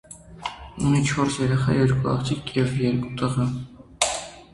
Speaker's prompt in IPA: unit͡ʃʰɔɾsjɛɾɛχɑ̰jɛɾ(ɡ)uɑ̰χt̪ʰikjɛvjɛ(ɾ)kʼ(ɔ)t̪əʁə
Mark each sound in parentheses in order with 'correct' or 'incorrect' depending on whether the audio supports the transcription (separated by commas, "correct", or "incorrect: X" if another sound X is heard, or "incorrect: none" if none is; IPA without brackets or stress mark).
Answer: incorrect: k, correct, incorrect: u